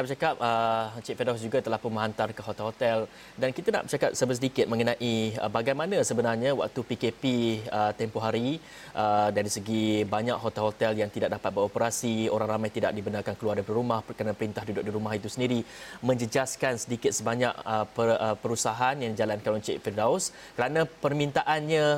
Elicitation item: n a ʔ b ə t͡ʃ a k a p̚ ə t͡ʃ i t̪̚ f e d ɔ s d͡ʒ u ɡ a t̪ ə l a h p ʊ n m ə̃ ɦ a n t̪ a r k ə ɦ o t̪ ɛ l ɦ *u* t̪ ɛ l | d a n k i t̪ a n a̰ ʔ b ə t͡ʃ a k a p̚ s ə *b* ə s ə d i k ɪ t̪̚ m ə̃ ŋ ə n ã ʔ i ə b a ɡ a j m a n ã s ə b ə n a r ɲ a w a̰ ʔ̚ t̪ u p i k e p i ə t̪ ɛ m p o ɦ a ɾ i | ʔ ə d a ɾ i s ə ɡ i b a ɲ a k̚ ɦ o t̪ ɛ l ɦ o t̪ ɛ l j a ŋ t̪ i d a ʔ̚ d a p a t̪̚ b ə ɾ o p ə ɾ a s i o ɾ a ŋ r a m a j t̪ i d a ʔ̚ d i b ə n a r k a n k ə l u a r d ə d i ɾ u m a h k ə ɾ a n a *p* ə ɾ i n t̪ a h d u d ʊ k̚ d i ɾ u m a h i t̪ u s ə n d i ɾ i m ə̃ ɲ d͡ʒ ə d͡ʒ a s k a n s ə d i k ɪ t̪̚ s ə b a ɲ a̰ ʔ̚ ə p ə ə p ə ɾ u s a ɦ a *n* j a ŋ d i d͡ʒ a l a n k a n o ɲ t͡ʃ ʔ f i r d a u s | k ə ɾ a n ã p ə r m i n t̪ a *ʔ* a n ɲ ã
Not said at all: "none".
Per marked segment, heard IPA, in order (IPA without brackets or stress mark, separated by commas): o, b, p, n, ʔ